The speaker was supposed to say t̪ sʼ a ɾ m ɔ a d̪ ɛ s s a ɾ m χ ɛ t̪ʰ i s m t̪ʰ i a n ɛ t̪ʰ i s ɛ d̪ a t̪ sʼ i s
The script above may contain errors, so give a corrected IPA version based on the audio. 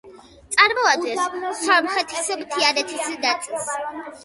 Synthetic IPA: t̪ sʼ a ɾ m ɔ a d̪ ɛ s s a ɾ m χ ɛ t̪ʰ i s m t̪ʰ i a n ɛ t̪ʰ i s ɛ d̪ a t̪ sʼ i s